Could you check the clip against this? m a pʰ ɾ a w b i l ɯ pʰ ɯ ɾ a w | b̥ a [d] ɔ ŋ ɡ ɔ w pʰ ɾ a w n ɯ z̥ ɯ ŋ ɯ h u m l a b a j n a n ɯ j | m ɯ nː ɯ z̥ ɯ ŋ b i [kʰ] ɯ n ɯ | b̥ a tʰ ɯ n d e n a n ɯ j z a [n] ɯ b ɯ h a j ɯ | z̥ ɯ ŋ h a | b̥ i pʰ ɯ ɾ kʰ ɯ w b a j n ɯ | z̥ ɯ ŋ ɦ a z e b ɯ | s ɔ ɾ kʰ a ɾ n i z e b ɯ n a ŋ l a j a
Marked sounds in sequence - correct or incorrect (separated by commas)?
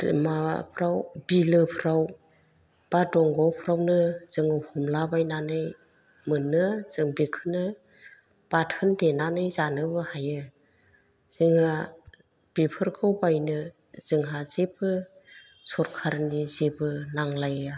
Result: correct, correct, correct